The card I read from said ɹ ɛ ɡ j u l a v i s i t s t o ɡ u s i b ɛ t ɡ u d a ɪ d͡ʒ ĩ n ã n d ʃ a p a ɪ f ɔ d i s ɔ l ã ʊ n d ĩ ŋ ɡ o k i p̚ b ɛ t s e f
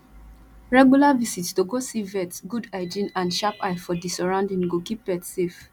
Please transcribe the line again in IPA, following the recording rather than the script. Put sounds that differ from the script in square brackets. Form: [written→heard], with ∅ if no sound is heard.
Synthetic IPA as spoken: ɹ ɛ ɡ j u l a v i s i t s t o ɡ [u→o] s i [b→v] ɛ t ɡ u d a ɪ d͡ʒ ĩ n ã n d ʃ a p a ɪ f ɔ d i s ɔ [l→ɹ] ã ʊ n d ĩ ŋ ɡ o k i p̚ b ɛ t s e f